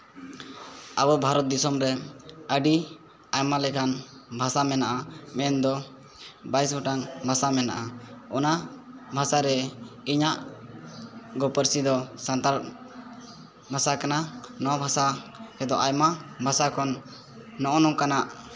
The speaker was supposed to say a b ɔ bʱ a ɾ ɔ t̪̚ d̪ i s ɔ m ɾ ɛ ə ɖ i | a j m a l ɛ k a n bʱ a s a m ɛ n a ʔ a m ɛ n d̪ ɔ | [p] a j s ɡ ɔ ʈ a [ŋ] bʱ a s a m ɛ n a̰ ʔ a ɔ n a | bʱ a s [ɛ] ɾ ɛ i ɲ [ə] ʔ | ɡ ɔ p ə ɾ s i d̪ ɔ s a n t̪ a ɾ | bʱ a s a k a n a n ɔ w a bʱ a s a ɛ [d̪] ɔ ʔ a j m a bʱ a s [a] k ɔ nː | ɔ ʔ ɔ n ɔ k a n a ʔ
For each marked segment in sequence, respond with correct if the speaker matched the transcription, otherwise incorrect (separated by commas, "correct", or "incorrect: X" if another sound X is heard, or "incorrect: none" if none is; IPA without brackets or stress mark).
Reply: incorrect: b, correct, incorrect: a, incorrect: a, correct, correct